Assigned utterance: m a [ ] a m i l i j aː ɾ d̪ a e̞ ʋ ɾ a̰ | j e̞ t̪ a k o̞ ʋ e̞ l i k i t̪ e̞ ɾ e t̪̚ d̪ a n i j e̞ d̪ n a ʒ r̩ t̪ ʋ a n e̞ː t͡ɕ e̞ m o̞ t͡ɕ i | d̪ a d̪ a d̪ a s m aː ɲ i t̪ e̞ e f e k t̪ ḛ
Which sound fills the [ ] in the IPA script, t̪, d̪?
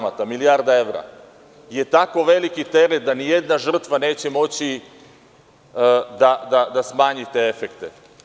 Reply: t̪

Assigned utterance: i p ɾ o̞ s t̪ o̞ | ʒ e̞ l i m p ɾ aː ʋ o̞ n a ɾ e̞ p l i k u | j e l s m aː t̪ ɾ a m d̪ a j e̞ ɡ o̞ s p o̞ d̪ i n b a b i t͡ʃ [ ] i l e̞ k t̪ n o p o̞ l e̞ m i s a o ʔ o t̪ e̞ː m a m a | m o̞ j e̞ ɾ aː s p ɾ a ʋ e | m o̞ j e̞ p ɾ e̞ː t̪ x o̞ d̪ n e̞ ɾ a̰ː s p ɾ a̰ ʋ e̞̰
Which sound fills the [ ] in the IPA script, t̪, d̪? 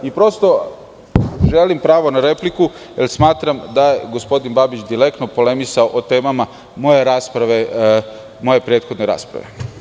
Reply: d̪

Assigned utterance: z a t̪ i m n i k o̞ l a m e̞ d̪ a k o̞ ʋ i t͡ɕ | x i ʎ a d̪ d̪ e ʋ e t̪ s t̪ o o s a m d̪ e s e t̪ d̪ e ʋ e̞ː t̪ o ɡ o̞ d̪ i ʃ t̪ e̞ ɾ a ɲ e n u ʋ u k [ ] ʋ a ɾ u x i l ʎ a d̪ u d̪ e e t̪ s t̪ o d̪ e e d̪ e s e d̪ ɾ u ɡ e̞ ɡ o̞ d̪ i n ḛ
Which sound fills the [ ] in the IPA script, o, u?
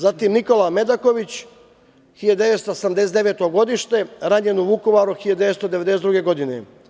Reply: o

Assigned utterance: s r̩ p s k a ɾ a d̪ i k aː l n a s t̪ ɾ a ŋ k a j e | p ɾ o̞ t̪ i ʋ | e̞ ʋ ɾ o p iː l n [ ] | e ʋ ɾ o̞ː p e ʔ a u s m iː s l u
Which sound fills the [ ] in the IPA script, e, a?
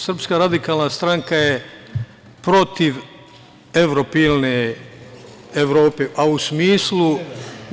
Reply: e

